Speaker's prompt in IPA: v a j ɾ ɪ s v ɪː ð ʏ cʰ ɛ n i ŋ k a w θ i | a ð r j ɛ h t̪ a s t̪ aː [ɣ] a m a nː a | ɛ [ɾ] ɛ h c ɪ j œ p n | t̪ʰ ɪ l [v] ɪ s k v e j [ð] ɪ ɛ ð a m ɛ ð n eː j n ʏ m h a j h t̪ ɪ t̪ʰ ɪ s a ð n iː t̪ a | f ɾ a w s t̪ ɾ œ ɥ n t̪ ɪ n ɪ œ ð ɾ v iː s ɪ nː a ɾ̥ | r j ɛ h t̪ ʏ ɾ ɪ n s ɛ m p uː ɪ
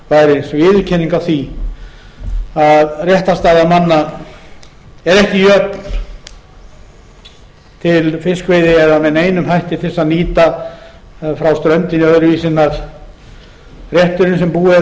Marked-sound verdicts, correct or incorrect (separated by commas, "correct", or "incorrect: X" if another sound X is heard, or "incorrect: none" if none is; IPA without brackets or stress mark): incorrect: ð, correct, incorrect: f, correct